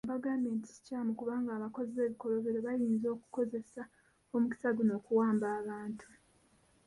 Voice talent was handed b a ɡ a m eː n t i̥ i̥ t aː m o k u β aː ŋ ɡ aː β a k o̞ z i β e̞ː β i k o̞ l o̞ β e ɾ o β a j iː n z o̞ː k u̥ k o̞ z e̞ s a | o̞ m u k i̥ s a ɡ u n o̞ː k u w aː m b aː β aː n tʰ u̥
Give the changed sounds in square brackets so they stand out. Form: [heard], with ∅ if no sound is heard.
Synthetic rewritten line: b a ɡ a m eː n t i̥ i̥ [c] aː m [u] k u β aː ŋ ɡ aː β a k o̞ z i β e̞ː β i k o̞ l o̞ β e ɾ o β a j iː n z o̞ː k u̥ k o̞ z e̞ s a | o̞ m u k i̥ s a ɡ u n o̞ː k u w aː m b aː β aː n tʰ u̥